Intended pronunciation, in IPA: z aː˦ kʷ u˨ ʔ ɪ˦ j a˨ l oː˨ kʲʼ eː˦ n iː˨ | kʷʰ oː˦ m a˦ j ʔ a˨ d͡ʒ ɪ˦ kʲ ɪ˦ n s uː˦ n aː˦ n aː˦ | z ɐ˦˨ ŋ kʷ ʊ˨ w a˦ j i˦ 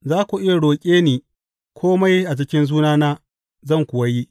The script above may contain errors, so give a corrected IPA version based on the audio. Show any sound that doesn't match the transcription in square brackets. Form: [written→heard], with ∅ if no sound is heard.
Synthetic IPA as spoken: z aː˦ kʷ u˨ ʔ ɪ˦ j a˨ [l→ɽ] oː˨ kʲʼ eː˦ n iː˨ | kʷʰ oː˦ m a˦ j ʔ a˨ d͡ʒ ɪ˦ kʲ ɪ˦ n [s→z] uː˦ n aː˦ n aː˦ | z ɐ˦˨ ŋ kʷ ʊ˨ w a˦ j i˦